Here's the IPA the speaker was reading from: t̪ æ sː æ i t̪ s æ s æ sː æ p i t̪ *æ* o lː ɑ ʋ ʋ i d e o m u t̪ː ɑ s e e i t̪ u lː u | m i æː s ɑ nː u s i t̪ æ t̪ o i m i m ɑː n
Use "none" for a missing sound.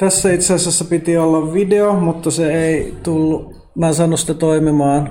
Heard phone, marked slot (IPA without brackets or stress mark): i